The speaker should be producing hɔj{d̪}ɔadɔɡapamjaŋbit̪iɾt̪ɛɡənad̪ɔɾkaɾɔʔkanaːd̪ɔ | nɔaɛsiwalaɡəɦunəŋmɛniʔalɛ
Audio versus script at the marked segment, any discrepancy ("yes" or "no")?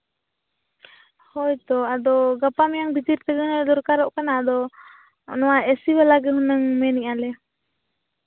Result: yes